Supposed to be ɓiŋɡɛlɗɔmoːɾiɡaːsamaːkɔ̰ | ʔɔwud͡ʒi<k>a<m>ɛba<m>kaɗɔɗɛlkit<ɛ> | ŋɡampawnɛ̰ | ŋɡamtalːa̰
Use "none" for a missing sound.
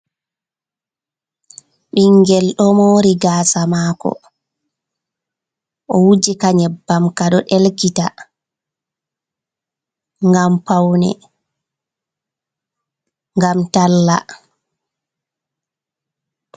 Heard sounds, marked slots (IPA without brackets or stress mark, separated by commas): k, ɲ, m, a